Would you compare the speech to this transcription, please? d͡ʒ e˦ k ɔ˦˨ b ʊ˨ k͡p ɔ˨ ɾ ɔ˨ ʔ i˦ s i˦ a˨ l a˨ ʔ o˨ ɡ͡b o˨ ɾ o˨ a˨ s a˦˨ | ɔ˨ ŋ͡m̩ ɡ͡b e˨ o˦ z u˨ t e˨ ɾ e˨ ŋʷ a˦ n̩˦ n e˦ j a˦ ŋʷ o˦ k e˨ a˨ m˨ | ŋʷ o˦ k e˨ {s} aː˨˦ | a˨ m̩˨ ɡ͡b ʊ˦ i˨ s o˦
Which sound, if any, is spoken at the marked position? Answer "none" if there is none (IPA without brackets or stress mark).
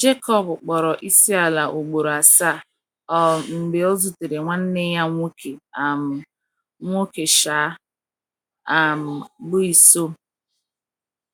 ʃ